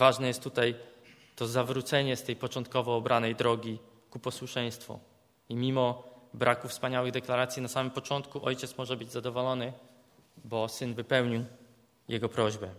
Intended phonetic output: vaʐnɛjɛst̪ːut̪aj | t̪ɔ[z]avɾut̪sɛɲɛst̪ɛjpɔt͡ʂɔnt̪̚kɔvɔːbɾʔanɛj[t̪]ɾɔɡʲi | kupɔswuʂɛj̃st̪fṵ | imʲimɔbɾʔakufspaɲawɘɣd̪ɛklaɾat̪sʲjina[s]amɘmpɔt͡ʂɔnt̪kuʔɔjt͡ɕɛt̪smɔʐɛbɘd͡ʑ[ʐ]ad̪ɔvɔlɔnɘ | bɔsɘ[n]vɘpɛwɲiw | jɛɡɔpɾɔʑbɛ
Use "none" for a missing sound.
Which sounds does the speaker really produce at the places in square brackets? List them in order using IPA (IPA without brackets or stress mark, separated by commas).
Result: z, d̪, s, z, n